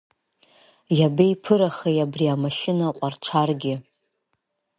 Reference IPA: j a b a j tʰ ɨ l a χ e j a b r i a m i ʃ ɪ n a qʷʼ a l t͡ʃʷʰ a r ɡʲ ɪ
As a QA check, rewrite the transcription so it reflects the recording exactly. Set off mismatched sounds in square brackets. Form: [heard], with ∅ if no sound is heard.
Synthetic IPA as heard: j a b [e] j [pʰ] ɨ [ɾ] a χ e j a b r i a m [a] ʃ ɪ n a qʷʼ a [r] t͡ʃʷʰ a r ɡʲ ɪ